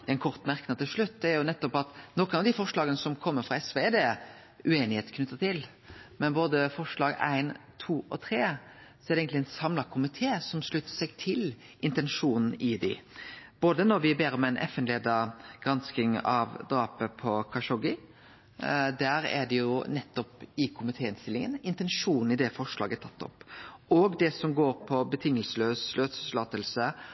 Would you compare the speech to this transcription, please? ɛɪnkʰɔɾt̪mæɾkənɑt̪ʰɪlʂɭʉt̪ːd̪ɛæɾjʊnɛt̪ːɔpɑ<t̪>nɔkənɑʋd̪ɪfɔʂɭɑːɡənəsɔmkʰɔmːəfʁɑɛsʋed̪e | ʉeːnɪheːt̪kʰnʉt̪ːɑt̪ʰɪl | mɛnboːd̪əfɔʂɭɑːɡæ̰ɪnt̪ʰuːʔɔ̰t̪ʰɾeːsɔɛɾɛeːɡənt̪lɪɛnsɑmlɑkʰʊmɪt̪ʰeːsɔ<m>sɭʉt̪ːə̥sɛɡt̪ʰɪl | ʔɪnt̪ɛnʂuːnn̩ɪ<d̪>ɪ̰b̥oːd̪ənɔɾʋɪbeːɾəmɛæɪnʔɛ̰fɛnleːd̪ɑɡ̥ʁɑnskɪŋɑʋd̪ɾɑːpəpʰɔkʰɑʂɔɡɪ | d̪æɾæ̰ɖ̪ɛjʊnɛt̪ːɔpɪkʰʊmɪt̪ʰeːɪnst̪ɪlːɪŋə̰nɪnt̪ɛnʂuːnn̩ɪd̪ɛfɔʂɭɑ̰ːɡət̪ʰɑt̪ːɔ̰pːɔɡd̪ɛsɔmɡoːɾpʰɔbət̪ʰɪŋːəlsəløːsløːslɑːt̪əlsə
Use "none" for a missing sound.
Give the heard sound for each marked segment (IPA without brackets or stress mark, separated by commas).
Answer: t̪, m, d̪